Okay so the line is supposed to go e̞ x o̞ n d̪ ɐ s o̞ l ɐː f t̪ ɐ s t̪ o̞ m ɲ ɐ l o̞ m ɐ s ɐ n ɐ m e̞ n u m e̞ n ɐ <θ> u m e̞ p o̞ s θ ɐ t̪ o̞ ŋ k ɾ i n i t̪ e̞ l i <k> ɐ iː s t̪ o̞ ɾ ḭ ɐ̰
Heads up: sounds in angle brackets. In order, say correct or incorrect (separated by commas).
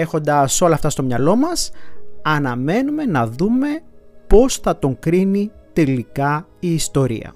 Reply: incorrect, correct